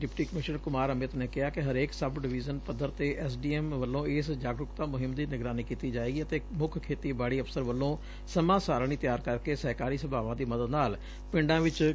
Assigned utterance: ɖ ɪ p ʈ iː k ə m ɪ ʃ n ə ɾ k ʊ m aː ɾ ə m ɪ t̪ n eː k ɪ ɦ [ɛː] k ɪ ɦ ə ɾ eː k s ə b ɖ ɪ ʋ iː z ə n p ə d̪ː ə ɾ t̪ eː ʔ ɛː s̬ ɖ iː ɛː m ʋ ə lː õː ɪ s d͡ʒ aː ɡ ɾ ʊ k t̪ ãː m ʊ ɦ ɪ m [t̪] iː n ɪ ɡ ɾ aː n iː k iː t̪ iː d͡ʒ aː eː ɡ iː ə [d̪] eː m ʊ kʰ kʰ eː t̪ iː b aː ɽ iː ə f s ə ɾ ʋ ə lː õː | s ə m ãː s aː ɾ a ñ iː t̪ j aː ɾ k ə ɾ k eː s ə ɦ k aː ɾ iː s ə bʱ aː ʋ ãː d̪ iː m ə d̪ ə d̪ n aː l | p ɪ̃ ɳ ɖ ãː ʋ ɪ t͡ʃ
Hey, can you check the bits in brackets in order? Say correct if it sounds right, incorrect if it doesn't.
incorrect: aː, incorrect: d̪, incorrect: t̪

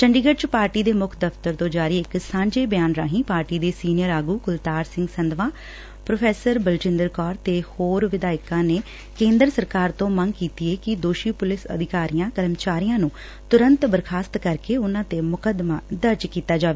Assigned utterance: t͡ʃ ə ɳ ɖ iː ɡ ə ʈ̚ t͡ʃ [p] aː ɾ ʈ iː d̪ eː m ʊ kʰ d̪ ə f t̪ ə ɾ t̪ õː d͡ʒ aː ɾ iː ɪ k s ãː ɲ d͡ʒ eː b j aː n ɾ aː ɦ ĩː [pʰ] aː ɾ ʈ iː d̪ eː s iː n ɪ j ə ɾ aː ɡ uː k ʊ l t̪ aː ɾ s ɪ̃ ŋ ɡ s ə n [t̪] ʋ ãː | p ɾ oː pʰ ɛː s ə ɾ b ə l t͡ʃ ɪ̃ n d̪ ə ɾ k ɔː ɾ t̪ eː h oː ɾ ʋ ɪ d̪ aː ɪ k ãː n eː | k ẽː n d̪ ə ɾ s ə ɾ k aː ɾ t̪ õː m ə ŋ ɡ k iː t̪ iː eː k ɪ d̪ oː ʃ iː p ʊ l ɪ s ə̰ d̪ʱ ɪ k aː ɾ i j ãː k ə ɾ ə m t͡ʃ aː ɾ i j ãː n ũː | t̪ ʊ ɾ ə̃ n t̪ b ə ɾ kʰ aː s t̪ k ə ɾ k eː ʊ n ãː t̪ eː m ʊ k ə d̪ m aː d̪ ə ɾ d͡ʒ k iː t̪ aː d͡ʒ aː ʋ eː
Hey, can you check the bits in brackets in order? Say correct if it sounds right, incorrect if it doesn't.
correct, incorrect: p, incorrect: d̪

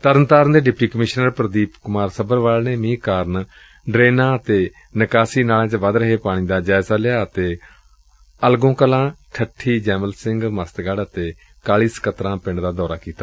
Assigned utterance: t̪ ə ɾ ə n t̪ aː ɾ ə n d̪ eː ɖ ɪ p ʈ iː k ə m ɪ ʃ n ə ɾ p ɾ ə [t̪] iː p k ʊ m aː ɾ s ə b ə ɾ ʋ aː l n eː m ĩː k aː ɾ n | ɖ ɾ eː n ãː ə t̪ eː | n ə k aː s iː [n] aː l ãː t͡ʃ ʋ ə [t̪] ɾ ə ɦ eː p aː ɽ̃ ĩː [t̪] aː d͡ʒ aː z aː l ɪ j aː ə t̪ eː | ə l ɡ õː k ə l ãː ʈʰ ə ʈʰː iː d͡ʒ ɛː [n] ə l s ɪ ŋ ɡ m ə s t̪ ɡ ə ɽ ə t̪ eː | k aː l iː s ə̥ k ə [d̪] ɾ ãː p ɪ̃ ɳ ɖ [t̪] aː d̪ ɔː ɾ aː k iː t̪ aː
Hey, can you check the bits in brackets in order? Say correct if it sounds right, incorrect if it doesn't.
incorrect: d̪, correct, incorrect: d̪, incorrect: d̪, incorrect: m, incorrect: t̪, incorrect: d̪

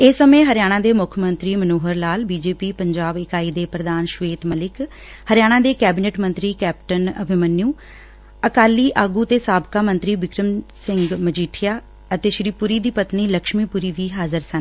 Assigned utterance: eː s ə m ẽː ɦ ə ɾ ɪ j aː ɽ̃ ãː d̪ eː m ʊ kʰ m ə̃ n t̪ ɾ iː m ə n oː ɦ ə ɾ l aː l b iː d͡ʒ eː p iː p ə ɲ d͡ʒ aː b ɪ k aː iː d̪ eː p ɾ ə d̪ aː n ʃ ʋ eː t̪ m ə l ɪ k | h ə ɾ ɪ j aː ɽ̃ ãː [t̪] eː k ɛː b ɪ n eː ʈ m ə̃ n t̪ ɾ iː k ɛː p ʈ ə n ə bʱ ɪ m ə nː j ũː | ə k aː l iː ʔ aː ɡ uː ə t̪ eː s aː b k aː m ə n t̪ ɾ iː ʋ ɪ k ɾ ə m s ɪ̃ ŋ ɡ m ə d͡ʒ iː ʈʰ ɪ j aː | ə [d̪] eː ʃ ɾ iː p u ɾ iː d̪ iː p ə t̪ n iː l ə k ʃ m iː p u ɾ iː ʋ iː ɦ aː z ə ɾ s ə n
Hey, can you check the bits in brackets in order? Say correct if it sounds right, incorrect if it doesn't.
incorrect: d̪, incorrect: t̪

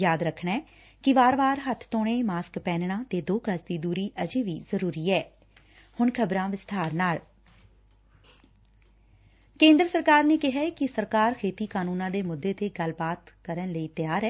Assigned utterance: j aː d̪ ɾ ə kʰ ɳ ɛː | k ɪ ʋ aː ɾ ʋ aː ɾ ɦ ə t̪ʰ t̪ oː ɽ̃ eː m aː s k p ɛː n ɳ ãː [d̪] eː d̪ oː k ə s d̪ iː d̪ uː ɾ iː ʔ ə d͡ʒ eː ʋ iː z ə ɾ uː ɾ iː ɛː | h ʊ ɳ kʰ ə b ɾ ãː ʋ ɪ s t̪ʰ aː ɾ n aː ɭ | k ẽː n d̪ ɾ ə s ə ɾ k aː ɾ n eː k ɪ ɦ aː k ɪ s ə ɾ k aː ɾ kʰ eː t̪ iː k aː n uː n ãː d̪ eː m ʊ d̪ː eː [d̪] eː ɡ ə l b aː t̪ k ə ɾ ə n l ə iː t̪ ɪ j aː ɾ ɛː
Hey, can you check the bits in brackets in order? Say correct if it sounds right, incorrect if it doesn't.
incorrect: t̪, incorrect: t̪

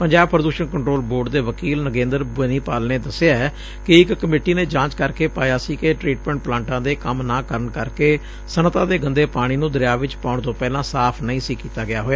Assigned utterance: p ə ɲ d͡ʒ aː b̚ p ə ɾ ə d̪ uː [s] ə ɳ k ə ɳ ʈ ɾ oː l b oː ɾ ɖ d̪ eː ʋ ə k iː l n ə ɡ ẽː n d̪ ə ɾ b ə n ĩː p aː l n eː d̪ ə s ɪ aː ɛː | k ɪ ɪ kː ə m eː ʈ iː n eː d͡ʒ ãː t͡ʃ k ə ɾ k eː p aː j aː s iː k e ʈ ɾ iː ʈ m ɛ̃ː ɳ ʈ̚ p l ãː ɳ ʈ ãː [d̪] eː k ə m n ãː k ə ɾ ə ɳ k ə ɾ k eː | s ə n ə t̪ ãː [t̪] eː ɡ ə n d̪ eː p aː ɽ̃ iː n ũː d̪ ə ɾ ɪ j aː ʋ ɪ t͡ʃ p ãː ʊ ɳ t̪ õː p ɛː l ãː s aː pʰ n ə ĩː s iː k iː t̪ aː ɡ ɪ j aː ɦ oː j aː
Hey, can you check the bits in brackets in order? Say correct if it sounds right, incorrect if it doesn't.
incorrect: ʃ, correct, incorrect: d̪

